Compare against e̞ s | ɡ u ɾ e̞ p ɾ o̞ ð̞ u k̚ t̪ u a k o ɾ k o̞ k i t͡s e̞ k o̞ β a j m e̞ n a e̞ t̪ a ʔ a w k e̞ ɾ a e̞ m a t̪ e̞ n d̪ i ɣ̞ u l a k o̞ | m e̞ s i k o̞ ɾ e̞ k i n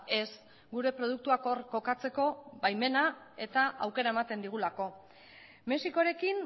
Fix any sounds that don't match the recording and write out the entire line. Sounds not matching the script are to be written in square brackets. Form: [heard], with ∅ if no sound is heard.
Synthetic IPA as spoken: e̞ s | ɡ u ɾ e̞ p ɾ o̞ ð̞ u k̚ t̪ u a k o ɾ k o̞ k [a] t͡s e̞ k o̞ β a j m e̞ n a e̞ t̪ a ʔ a w k e̞ ɾ a e̞ m a t̪ e̞ n d̪ i ɣ̞ u l a k o̞ | m e̞ s i k o̞ ɾ e̞ k i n

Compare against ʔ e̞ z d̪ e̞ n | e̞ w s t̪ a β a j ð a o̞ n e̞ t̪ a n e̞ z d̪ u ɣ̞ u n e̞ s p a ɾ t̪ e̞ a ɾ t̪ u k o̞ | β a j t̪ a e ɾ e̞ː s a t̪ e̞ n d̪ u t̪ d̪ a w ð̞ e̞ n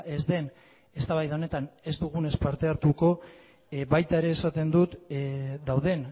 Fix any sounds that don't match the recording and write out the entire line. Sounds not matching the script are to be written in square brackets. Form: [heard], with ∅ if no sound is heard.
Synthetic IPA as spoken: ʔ e̞ z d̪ e̞ n | e̞ [∅] s t̪ a β a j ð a o̞ n e̞ t̪ a n e̞ z d̪ u ɣ̞ u n e̞ s p a ɾ t̪ e̞ a ɾ t̪ u k o̞ | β a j t̪ a e ɾ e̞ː s a t̪ e̞ n d̪ u t̪ d̪ a w ð̞ e̞ n

